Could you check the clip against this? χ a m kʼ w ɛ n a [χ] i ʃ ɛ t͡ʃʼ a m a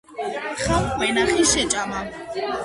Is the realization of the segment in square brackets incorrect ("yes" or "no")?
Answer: no